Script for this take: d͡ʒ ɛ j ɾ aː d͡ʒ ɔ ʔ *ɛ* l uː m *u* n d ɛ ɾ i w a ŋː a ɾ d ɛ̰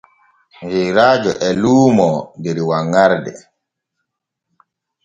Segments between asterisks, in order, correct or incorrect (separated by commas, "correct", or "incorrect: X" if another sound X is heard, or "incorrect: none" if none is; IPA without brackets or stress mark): correct, incorrect: ɔ